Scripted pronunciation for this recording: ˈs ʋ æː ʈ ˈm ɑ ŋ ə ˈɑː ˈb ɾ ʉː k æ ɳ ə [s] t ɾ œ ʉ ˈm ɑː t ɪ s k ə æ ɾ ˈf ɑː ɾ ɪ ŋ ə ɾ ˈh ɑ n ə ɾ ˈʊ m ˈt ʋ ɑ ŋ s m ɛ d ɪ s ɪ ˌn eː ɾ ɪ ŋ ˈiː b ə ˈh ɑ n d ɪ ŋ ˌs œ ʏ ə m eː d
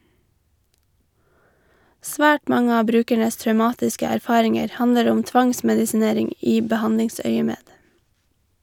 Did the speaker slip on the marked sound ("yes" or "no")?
no